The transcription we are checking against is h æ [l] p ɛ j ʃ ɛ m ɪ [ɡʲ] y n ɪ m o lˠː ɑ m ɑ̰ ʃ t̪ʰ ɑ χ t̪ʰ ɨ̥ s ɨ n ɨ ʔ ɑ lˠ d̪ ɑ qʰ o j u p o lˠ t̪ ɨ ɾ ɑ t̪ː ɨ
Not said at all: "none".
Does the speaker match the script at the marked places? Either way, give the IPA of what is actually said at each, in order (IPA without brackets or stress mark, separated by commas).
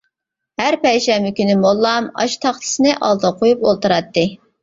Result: ɾ, kʲ